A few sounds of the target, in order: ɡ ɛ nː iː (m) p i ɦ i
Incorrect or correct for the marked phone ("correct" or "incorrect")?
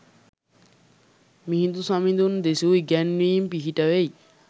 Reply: correct